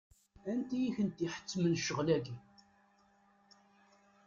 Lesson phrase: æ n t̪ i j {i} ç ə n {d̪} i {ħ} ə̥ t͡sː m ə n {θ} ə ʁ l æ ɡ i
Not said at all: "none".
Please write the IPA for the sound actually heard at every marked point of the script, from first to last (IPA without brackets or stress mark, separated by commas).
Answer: i, t̪, ħ, ʃ